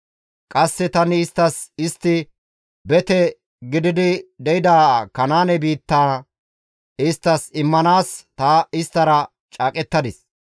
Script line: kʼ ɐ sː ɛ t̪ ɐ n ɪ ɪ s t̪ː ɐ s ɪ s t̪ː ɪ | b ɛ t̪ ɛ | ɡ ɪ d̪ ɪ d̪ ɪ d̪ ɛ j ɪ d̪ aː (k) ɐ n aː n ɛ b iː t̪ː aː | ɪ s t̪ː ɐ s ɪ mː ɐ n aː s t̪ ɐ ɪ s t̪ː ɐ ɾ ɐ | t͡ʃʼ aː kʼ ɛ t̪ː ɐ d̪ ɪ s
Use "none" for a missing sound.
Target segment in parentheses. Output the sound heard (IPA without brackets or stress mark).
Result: k